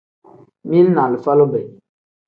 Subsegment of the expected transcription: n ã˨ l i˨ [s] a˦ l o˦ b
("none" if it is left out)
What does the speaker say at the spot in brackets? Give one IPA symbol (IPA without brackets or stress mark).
f